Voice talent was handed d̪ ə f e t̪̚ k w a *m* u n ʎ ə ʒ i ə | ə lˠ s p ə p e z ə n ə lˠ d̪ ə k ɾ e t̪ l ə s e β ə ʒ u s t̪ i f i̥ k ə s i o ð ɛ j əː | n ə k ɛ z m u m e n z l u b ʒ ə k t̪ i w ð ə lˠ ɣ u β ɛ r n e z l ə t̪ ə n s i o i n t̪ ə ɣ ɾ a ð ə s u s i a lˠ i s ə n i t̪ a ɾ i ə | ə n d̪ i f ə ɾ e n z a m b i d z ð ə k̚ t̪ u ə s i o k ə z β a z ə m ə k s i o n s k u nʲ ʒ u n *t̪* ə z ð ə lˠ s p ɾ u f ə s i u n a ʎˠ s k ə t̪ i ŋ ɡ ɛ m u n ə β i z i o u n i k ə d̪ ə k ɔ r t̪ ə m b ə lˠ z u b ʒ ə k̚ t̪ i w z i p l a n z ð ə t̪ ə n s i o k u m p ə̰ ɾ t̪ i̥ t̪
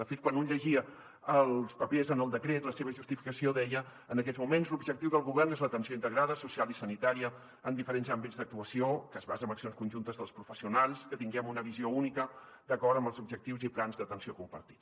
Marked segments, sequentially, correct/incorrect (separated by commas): incorrect, correct